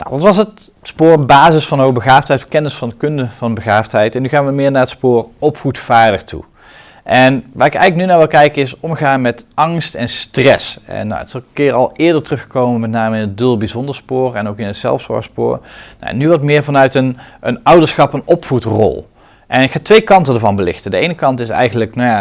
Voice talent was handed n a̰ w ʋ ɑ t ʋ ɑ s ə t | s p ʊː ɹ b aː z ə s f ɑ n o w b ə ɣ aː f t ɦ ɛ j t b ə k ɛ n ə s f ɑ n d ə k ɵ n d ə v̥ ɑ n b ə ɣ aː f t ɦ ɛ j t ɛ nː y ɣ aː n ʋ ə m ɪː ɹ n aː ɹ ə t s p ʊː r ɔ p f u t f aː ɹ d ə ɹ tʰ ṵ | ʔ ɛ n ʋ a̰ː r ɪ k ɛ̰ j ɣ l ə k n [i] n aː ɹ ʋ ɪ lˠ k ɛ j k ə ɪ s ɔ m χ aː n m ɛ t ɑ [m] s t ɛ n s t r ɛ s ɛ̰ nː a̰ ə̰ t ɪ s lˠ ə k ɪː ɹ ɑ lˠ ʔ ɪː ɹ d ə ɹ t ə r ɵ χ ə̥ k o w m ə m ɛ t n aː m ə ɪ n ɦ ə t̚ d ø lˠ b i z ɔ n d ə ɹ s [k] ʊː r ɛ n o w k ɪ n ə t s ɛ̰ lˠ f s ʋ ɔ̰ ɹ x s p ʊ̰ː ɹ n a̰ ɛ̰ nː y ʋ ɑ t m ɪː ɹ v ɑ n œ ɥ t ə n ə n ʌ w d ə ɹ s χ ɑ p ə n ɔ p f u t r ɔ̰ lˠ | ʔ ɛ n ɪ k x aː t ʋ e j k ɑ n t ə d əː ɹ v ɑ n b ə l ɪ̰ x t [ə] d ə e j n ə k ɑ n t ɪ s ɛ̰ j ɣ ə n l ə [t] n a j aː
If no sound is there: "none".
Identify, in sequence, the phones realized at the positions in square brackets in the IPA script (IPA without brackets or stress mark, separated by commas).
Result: y, ŋ, p, ə, k